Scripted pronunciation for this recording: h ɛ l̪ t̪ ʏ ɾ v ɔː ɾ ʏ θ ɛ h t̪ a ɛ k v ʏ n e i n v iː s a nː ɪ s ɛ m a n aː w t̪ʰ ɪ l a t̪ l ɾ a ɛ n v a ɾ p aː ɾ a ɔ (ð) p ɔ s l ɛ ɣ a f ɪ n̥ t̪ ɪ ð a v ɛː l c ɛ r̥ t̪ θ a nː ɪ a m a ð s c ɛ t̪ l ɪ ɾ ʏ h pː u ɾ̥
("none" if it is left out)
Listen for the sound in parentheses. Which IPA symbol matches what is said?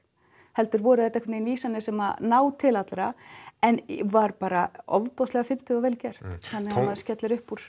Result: v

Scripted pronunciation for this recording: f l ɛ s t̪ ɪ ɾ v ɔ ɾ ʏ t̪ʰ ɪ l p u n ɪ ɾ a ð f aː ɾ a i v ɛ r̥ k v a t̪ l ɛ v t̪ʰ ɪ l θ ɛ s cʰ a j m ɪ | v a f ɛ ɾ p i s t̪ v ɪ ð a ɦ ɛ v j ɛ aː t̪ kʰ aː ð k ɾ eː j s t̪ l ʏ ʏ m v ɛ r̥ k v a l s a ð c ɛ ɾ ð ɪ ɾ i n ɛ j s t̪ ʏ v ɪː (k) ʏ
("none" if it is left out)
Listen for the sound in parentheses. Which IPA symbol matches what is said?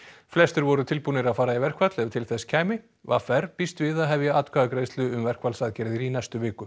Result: k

